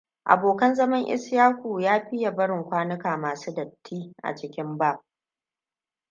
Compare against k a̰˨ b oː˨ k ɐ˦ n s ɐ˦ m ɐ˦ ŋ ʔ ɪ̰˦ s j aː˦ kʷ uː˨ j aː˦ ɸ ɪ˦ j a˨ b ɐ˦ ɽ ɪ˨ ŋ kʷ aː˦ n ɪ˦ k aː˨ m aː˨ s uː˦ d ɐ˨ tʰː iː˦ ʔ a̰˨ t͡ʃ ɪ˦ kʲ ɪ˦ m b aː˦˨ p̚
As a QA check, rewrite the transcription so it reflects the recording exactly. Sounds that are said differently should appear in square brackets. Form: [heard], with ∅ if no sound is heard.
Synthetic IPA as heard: [ʔ] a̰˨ b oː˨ k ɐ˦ n [z] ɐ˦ m ɐ˦ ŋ ʔ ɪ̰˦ s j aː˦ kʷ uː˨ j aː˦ ɸ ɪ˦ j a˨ b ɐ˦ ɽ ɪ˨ ŋ kʷ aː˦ n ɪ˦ k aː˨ m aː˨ s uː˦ d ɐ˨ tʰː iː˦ ʔ a̰˨ t͡ʃ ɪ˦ kʲ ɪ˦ m b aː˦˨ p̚